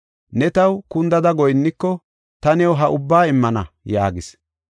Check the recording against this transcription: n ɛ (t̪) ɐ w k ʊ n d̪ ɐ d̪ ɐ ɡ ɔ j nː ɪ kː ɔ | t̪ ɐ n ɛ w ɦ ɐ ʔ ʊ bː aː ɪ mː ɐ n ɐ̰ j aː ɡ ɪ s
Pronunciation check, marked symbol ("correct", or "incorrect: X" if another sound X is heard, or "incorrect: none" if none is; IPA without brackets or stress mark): correct